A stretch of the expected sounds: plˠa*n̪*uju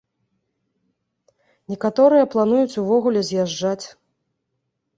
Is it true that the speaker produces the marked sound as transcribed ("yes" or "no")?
yes